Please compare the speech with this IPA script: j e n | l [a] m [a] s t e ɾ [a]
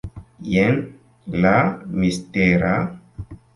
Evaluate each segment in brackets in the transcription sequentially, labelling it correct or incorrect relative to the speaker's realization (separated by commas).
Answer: correct, incorrect, correct